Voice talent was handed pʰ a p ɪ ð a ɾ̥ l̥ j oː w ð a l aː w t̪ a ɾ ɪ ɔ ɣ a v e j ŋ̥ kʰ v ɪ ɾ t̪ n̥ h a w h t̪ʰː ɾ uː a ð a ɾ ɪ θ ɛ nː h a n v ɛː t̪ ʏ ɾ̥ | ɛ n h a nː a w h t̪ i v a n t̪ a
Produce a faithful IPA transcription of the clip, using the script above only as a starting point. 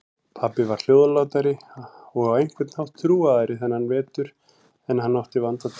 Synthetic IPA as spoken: pʰ a p ɪ v a ɾ̥ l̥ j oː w ð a l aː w t̪ a ɾ ɪ ɔ ɣ a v e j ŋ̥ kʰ v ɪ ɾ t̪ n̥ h a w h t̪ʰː ɾ uː a ð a ɾ ɪ θ ɛ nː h a n v ɛː t̪ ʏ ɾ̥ | ɛ n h a nː a w h t̪ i v a n t̪ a